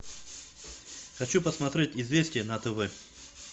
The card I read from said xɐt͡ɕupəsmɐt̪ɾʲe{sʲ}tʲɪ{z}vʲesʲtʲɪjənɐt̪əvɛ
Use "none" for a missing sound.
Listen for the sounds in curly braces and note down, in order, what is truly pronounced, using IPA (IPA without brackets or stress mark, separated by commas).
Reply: none, z